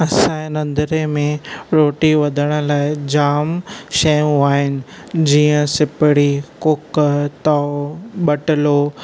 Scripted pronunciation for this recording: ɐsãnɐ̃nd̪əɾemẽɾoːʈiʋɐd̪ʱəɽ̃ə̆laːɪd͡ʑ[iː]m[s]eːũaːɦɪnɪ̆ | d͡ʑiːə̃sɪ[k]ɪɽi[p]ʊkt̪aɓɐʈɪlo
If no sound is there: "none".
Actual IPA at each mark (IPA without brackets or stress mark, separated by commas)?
aː, ʃ, p, k